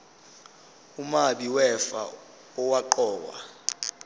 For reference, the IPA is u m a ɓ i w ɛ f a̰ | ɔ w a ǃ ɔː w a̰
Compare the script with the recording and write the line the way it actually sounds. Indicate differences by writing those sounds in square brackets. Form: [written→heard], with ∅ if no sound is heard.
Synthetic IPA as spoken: u m a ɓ i w ɛ f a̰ | ɔ w a ǃ ɔː w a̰